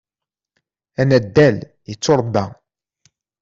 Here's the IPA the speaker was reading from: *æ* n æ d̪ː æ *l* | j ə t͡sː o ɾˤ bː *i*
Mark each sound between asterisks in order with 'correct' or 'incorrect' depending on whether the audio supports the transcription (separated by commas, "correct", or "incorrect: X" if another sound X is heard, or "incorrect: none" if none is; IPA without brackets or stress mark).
correct, correct, incorrect: æ